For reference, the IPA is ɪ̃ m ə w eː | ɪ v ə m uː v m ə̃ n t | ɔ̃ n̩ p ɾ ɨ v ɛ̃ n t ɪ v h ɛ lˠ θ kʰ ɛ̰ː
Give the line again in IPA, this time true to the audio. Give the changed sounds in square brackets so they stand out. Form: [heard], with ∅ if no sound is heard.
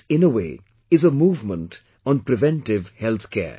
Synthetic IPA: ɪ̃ [n] ə w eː | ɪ [z] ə m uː v m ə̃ n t | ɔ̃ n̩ p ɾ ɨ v ɛ̃ n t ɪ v h ɛ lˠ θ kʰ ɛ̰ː